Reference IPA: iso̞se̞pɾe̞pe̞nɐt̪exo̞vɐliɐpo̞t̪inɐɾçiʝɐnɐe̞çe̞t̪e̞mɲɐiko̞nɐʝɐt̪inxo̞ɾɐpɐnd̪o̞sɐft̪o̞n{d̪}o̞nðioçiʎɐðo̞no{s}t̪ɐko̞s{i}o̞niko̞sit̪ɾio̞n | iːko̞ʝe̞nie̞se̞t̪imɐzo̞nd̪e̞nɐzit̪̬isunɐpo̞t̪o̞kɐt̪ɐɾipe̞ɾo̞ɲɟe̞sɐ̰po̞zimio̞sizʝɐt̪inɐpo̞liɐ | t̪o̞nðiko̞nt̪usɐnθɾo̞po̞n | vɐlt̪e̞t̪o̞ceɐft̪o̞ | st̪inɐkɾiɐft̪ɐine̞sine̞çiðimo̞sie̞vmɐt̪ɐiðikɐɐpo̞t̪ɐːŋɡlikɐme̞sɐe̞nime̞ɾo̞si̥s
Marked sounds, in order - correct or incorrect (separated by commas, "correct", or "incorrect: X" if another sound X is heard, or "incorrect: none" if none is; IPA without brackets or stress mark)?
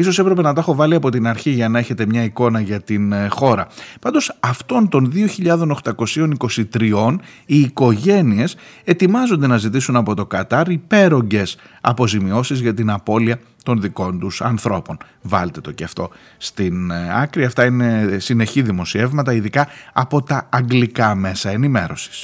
incorrect: t̪, incorrect: x, correct